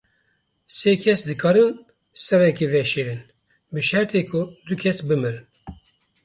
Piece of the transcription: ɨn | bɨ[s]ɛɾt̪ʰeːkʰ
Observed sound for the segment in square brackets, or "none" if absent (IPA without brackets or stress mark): ʃ